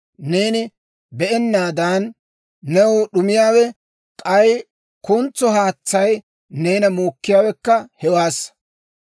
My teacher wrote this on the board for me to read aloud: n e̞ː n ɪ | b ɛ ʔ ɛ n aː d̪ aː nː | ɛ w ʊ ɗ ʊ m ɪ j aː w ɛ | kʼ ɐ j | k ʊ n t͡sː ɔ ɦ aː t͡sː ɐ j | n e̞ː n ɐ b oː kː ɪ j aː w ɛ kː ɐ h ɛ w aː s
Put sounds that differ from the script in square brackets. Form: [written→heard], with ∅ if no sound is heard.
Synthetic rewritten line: n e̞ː n ɪ | b ɛ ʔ ɛ [n→nː] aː d̪ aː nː | ɛ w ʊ ɗ ʊ m ɪ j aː w ɛ | kʼ ɐ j | k ʊ n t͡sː ɔ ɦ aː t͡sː ɐ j | n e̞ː n ɐ [b→m] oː kː ɪ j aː w ɛ kː ɐ h ɛ w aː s

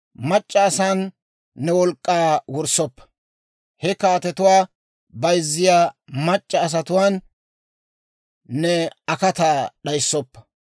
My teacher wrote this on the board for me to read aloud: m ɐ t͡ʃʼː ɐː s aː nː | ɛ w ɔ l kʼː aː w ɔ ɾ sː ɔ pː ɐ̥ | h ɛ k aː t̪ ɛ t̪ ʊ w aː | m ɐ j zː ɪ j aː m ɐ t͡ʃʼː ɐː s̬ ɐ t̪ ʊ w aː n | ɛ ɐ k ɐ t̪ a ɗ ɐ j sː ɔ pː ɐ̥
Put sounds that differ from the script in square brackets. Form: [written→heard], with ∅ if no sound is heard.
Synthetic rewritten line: m ɐ t͡ʃʼː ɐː s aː nː | ɛ w ɔ l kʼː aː w ɔ ɾ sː ɔ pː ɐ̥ | h ɛ k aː t̪ ɛ t̪ ʊ w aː | [m→b] ɐ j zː ɪ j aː m ɐ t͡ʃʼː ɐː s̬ ɐ t̪ ʊ w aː n | ɛ ɐ k ɐ t̪ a ɗ ɐ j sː ɔ pː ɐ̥

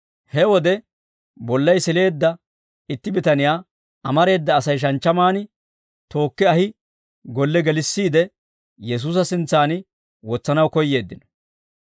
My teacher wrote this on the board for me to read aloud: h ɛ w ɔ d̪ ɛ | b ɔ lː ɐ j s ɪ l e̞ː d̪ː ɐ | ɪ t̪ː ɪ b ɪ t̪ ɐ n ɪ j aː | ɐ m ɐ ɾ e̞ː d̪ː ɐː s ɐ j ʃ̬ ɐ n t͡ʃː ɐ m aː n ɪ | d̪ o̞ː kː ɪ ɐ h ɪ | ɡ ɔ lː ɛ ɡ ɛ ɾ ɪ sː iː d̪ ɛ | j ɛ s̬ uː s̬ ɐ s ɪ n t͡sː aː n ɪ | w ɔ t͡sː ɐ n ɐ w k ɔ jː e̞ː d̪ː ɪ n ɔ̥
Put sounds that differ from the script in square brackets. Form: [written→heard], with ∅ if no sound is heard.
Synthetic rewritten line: h ɛ w ɔ d̪ ɛ | b ɔ lː ɐ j s ɪ l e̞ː d̪ː ɐ | ɪ t̪ː ɪ b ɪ t̪ ɐ n ɪ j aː | ɐ m ɐ ɾ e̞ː d̪ː ɐː s ɐ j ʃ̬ ɐ n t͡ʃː ɐ m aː n ɪ | [d̪→t̪] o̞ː kː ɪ ɐ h ɪ | ɡ ɔ lː ɛ ɡ ɛ [ɾ→l] ɪ sː iː d̪ ɛ | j ɛ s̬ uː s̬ ɐ s ɪ n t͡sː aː n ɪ | w ɔ t͡sː ɐ n ɐ w k ɔ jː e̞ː d̪ː ɪ n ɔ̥

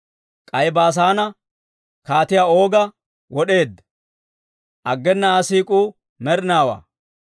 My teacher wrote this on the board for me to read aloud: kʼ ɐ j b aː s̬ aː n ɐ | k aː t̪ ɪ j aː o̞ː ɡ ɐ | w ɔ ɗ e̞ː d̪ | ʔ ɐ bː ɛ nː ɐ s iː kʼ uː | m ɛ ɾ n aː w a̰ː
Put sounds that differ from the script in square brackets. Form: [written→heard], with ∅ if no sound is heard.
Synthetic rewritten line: kʼ ɐ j b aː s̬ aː n ɐ | k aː t̪ ɪ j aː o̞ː ɡ ɐ | w ɔ ɗ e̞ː d̪ | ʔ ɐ [bː→ɡː] ɛ nː ɐ s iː kʼ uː | m ɛ ɾ n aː w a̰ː

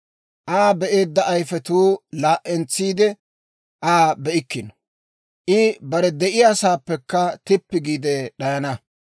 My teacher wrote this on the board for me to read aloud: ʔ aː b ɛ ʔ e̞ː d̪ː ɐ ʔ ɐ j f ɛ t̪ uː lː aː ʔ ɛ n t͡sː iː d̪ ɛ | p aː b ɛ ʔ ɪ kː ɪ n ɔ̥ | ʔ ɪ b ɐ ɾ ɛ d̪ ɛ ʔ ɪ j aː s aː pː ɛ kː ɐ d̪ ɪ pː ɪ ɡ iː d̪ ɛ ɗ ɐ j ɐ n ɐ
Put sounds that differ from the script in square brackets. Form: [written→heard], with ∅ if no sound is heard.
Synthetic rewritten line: ʔ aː b ɛ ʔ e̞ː d̪ː ɐ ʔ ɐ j f ɛ t̪ uː [lː→l] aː ʔ ɛ n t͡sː iː d̪ ɛ | [p→ʔ] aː b ɛ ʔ ɪ kː ɪ n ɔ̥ | ʔ ɪ b ɐ ɾ ɛ d̪ ɛ ʔ ɪ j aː s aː pː ɛ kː ɐ [d̪→t̪] ɪ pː ɪ ɡ iː d̪ ɛ ɗ ɐ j ɐ n ɐ

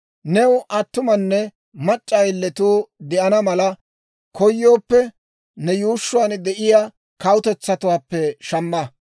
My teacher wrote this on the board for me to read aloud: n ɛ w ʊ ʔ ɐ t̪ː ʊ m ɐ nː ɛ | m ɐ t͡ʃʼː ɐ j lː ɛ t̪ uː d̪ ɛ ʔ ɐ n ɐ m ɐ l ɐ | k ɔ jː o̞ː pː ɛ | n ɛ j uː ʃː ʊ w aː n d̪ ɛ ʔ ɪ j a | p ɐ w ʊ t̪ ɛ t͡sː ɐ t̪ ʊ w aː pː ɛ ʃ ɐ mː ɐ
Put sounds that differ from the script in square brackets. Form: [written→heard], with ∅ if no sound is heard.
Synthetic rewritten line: n ɛ w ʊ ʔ ɐ t̪ː ʊ m ɐ nː ɛ | m ɐ t͡ʃʼː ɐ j lː ɛ t̪ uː d̪ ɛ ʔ ɐ n ɐ m ɐ l ɐ | k ɔ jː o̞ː pː ɛ | n ɛ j uː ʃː ʊ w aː n d̪ ɛ ʔ ɪ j a | [p→k] ɐ w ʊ t̪ ɛ t͡sː ɐ t̪ ʊ w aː pː ɛ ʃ ɐ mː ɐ

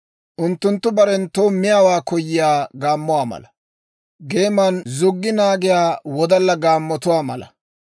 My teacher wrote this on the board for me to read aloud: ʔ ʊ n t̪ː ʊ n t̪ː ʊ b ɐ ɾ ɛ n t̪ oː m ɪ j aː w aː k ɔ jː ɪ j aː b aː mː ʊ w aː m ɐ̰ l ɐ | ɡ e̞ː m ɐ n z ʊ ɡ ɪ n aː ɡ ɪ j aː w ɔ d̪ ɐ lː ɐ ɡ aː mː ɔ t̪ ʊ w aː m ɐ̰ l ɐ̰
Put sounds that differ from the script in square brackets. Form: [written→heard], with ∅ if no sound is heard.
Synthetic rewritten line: ʔ ʊ n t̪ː ʊ n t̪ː ʊ b ɐ ɾ ɛ n t̪ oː m ɪ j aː w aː k ɔ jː ɪ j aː [b→ɡ] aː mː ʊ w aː m ɐ̰ l ɐ | ɡ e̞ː m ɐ n z ʊ [ɡ→ɡː] ɪ n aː ɡ ɪ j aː w ɔ d̪ ɐ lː ɐ ɡ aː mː ɔ t̪ ʊ w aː m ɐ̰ l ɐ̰

